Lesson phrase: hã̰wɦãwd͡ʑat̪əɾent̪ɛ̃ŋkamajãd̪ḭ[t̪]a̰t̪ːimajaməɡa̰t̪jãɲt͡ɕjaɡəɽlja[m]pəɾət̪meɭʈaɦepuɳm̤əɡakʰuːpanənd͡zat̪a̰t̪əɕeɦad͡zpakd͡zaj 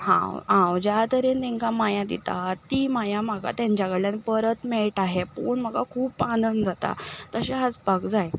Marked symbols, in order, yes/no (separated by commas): yes, no